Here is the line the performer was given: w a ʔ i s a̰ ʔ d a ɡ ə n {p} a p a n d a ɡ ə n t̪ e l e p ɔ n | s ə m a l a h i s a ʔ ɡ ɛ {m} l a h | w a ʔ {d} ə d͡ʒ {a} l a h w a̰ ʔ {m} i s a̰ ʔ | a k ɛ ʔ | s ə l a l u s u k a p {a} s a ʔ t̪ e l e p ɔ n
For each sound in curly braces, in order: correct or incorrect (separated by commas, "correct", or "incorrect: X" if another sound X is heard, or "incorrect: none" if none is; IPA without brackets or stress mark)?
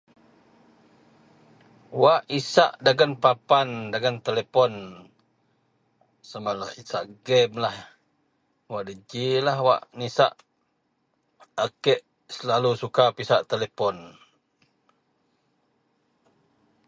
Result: correct, correct, correct, incorrect: i, incorrect: n, incorrect: i